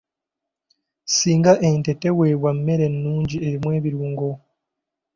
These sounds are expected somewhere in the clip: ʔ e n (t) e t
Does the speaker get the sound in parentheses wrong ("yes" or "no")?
no